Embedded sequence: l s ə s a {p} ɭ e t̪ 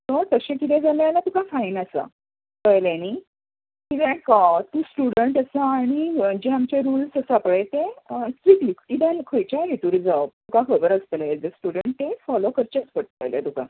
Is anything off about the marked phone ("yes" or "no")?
no